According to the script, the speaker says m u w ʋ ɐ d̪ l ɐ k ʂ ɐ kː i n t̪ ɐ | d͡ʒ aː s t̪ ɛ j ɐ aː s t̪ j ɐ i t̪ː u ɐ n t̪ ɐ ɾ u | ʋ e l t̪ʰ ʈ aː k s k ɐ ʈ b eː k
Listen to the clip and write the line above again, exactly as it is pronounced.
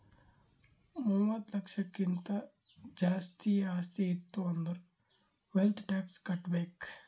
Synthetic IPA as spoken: m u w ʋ ɐ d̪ l ɐ k ʂ ɐ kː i n t̪ ɐ | d͡ʒ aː s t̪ i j ɐ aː s t̪ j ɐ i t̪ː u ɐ n d̪ ɐ ɾ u | ʋ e l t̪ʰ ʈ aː k s k ɐ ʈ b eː k